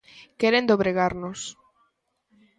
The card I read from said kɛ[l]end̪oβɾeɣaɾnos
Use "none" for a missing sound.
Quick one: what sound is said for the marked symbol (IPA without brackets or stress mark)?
ɾ